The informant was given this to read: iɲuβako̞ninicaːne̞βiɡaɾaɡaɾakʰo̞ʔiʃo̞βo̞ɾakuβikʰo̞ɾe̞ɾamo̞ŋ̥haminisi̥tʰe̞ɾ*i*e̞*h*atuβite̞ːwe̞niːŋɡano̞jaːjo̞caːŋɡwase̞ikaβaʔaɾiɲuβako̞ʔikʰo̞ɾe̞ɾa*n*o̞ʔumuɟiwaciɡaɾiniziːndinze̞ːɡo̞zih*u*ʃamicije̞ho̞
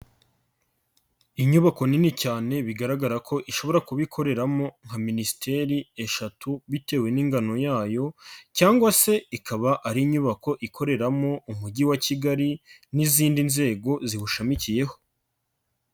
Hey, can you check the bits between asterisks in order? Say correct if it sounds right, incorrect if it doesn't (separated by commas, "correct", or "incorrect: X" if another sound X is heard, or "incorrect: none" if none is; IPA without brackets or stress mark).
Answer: correct, incorrect: ʃ, incorrect: m, correct